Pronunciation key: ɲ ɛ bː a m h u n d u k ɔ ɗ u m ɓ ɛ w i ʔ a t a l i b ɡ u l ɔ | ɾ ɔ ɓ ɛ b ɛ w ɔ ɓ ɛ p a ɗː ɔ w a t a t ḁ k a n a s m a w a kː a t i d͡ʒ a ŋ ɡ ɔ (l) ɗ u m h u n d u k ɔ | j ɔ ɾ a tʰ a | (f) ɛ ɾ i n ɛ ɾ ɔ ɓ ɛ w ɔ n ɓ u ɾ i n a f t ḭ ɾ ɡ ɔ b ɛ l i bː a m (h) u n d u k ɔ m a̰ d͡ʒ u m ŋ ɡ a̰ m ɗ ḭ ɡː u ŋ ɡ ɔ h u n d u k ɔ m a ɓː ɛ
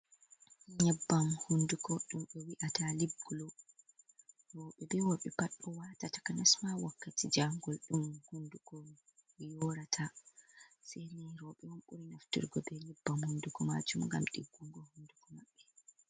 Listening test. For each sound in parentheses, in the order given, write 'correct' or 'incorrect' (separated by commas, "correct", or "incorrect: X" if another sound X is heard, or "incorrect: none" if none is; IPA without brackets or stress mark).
correct, incorrect: s, correct